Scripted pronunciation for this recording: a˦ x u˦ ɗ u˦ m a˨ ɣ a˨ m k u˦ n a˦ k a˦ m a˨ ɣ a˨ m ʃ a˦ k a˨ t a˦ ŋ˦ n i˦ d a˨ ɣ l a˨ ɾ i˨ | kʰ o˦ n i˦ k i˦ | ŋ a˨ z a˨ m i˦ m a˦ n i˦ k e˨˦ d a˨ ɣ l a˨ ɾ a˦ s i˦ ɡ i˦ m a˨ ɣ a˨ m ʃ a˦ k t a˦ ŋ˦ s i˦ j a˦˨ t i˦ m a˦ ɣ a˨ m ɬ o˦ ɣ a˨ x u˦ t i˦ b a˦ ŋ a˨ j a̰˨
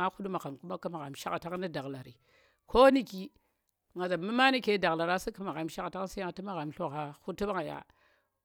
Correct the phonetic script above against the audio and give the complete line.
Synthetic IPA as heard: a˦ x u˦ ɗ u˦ m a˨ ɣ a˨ m k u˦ m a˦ k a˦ m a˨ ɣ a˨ m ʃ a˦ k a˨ t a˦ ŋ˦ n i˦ d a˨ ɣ l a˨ ɾ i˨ | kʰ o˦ n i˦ k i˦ | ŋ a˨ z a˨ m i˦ m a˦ n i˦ k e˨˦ d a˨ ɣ l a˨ ɾ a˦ s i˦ k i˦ m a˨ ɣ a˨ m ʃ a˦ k t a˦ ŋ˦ s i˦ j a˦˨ t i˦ m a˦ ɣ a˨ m ɬ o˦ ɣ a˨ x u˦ t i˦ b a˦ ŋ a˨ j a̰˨